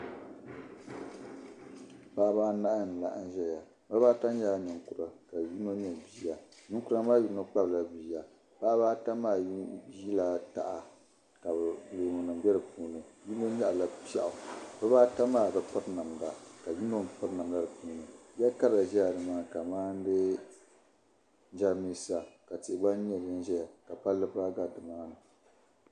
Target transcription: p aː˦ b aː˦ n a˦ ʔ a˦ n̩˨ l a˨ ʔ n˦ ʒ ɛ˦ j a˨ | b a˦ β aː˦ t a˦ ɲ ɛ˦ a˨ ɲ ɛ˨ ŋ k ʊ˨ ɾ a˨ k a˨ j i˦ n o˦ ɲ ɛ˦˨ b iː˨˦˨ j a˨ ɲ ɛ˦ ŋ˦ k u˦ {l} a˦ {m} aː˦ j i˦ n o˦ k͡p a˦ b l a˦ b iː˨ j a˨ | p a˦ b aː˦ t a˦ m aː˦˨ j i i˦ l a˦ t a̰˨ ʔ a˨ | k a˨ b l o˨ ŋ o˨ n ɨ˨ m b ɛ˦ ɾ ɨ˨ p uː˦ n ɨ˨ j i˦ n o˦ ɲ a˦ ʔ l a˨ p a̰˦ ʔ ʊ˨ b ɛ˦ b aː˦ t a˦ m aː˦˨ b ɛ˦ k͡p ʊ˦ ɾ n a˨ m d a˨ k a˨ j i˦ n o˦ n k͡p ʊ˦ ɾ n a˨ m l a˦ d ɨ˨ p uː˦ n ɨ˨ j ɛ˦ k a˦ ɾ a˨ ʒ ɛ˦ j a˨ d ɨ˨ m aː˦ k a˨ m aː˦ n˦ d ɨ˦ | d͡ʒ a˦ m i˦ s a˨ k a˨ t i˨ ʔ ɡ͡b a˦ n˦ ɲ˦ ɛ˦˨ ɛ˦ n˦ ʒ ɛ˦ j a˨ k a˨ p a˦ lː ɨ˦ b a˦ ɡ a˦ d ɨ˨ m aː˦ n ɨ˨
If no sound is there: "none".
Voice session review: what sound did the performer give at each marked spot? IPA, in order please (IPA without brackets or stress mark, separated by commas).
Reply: ɾ, m